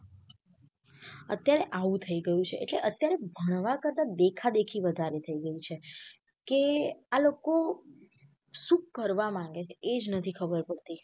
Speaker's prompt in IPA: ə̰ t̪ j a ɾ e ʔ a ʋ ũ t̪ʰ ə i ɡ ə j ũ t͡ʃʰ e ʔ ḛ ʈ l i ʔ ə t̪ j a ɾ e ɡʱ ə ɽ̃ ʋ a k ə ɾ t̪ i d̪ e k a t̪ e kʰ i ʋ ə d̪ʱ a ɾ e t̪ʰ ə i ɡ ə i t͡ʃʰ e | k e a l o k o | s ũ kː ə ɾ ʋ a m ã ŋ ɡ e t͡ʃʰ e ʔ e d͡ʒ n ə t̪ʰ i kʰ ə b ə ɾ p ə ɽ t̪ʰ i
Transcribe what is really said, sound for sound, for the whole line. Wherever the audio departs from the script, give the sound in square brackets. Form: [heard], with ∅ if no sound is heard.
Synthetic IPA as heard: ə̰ t̪ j a ɾ e ʔ a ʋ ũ t̪ʰ ə i ɡ ə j ũ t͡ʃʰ e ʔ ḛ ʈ l [e] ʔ ə t̪ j a ɾ e [bʱ] ə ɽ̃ ʋ a k ə ɾ t̪ [a] d̪ e [kʰ] a [d̪] e kʰ i ʋ ə d̪ʱ a ɾ e t̪ʰ ə i ɡ ə i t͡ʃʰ e | k e a l o k o | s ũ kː ə ɾ ʋ a m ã ŋ ɡ e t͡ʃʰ e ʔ e d͡ʒ n ə t̪ʰ i kʰ ə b ə ɾ p ə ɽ [t̪] i